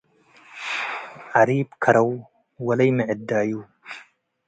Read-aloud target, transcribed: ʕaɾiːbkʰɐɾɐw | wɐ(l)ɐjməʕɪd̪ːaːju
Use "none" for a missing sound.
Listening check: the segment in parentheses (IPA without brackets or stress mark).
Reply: l